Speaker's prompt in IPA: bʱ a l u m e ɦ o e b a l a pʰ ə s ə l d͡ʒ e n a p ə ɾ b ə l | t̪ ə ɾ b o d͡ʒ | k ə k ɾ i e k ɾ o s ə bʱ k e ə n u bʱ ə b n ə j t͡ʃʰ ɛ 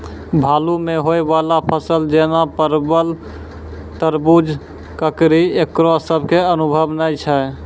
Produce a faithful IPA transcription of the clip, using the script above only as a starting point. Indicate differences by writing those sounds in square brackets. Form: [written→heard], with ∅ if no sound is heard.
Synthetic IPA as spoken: bʱ a l u m e ɦ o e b a l a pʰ ə s ə l d͡ʒ e n a p ə ɾ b ə l | t̪ ə ɾ b [o→u] d͡ʒ | k ə k ɾ i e k ɾ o s ə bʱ k e ə n u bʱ ə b n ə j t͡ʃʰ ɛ

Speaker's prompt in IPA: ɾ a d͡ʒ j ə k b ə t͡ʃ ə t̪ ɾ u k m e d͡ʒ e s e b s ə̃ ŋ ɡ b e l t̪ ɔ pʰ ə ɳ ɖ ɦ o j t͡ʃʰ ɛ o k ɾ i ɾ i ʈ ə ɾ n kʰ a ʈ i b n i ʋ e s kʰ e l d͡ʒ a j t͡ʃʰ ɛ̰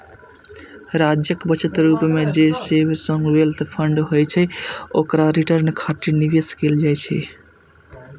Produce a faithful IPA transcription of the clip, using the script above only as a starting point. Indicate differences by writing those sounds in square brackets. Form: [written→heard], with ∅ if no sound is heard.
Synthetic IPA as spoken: ɾ a d͡ʒ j ə k b ə t͡ʃ ə t̪ ɾ u [k→p] m e d͡ʒ e s e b s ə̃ ŋ ɡ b e l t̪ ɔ pʰ ə ɳ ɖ ɦ o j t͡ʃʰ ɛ o k ɾ [i→a] ɾ i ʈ ə ɾ n kʰ a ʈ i [b→∅] n i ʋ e s [kʰ→k] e l d͡ʒ a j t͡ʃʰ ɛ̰

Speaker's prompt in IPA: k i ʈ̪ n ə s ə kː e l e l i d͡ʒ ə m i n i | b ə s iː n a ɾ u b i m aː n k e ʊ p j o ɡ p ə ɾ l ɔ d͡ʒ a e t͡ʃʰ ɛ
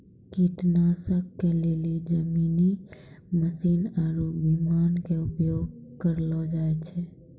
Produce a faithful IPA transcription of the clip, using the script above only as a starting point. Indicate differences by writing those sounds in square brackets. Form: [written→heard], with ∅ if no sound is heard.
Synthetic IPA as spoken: k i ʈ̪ n [ə→a] s ə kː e l e l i d͡ʒ ə m i n i | [b→m] ə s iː n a ɾ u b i m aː n k e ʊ p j o ɡ [p→k] ə ɾ l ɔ d͡ʒ a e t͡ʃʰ ɛ

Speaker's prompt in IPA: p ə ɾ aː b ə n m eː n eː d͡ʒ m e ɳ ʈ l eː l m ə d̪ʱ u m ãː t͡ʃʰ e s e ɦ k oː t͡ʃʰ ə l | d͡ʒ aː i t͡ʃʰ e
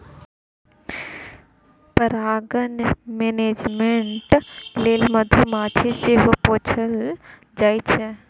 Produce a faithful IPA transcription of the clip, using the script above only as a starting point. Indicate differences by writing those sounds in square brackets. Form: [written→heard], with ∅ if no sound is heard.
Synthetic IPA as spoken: p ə ɾ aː [b→ɡ] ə n m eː n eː d͡ʒ m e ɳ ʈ l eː l m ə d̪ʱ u m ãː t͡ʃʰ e s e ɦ [k→p] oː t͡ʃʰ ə l | d͡ʒ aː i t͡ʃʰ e

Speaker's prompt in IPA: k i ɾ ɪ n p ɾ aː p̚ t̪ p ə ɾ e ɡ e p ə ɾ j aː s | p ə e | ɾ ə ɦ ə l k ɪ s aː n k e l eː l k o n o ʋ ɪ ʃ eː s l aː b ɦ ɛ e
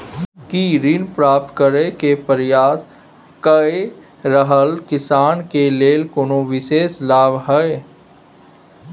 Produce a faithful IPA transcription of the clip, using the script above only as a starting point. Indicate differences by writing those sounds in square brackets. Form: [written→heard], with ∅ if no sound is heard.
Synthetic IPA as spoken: k i ɾ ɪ n p ɾ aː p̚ t̪ [p→k] ə ɾ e [ɡ→k] e p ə ɾ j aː s | [p→k] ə e | ɾ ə ɦ ə l k ɪ s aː n k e l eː l k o n o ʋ ɪ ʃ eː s l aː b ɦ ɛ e

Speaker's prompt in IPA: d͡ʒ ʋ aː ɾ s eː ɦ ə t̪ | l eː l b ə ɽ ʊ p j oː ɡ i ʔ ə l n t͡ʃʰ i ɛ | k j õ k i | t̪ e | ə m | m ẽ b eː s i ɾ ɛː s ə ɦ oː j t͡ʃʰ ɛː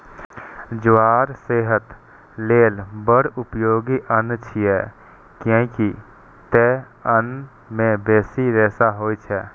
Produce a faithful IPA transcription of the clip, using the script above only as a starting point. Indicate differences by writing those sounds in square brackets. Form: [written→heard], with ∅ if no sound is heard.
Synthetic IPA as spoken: d͡ʒ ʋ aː ɾ s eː ɦ ə t̪ | l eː l b ə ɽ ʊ p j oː ɡ i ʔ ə [l→∅] n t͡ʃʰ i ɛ | k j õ k i | t̪ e | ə [m→n] | m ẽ b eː s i ɾ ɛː s [ə→a] ɦ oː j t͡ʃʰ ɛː

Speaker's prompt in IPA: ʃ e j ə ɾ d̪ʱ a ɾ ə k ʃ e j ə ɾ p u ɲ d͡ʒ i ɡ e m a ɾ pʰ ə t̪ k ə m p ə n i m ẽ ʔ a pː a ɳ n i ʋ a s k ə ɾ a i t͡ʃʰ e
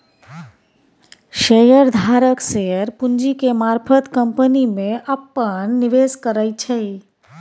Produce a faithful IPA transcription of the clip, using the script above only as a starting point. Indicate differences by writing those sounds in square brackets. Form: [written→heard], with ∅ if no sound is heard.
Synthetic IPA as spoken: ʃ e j ə ɾ d̪ʱ a ɾ ə k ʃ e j ə ɾ p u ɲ d͡ʒ i [ɡ→k] e m a ɾ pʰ ə t̪ k ə m p ə n i m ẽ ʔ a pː [a→ə] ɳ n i ʋ [a→e] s k ə ɾ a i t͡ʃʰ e

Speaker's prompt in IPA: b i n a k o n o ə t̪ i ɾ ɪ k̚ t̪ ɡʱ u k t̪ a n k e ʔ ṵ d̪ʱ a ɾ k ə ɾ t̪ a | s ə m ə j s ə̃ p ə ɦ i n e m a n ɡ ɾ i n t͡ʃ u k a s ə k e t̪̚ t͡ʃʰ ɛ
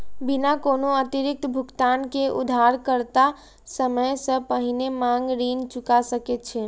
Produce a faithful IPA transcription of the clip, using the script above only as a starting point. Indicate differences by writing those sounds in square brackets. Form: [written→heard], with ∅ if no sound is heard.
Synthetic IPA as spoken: b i n a k o n o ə t̪ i ɾ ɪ k̚ t̪ [ɡʱ→bʱ] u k t̪ a n k e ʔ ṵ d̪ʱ a ɾ k ə ɾ t̪ a | s ə m ə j s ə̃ p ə ɦ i n e m a [n→ŋ] ɡ ɾ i n t͡ʃ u k a s ə k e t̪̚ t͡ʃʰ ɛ

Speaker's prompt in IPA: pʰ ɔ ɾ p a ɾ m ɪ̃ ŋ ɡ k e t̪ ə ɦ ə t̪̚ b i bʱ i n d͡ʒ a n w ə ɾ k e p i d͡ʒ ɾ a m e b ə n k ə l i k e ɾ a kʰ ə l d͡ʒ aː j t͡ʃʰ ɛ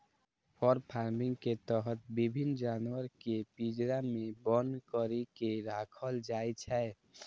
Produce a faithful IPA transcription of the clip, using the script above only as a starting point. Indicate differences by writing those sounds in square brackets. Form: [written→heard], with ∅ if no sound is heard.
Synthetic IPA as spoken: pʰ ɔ ɾ [p→pʰ] a ɾ m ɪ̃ ŋ ɡ k e t̪ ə ɦ ə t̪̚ b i bʱ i n d͡ʒ a n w ə ɾ k e p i d͡ʒ ɾ a m e b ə n k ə [l→ɾ] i k e ɾ a kʰ ə l d͡ʒ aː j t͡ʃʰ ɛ

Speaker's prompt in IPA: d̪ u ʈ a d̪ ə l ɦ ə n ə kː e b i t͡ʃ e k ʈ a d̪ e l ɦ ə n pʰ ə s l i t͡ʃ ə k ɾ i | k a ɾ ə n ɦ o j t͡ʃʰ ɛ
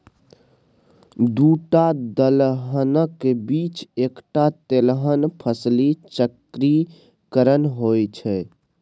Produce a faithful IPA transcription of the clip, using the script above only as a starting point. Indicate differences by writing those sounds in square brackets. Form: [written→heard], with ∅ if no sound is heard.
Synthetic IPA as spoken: d̪ u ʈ a d̪ ə l ɦ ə n ə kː e b i t͡ʃ e k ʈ a [d̪→t̪] e l ɦ ə n pʰ ə s l i t͡ʃ ə k ɾ i | k [a→ə] ɾ ə n ɦ o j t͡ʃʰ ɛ

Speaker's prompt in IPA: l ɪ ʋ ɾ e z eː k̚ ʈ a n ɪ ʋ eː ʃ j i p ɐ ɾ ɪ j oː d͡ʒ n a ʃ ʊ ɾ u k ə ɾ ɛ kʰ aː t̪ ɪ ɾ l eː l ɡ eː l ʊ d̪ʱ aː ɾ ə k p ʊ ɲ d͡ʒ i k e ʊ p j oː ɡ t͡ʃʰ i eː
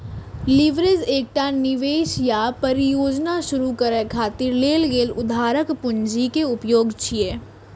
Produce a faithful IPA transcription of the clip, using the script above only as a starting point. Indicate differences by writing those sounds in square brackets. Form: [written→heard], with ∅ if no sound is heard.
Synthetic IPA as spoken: l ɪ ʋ ɾ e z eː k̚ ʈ a n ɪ ʋ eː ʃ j [i→a] p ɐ ɾ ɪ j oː d͡ʒ n a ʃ ʊ ɾ u k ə ɾ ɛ kʰ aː t̪ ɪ ɾ l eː l ɡ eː l ʊ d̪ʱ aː ɾ ə k p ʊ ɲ d͡ʒ i k e ʊ p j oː ɡ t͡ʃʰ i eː

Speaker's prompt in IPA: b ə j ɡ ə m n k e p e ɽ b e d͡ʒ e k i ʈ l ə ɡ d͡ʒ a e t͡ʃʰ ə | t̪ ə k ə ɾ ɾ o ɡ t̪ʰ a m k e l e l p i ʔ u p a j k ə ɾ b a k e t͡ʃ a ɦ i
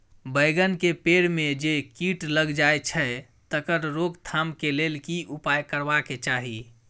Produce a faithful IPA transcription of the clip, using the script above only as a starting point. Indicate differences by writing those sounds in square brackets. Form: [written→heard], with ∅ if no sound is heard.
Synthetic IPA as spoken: b ə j ɡ ə [m→∅] n k e p e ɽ [b→m] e d͡ʒ e k i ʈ l ə ɡ d͡ʒ a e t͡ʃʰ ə | t̪ ə k ə ɾ ɾ o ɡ t̪ʰ a m k e l e l [p→k] i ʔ u p a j k ə ɾ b a k e t͡ʃ a ɦ i

